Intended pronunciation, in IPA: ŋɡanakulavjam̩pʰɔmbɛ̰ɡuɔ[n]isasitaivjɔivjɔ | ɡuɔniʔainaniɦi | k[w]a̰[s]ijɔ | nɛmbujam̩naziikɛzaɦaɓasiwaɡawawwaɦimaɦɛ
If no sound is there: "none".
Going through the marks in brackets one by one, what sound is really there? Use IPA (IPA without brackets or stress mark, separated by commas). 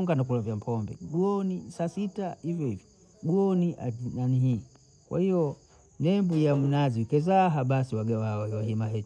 n, w, h